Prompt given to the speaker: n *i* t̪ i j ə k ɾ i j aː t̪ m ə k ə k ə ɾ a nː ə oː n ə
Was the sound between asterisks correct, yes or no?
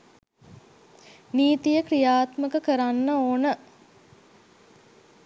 no